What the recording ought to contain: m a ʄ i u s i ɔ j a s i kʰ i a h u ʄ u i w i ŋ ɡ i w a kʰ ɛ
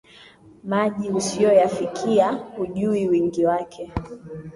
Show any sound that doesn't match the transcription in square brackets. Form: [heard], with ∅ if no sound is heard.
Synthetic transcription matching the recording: m a ʄ i u s i ɔ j a [f] i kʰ i a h u ʄ u i w i ŋ ɡ i w a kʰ ɛ